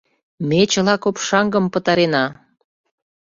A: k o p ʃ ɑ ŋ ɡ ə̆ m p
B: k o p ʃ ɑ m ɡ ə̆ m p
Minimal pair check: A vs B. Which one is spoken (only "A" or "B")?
A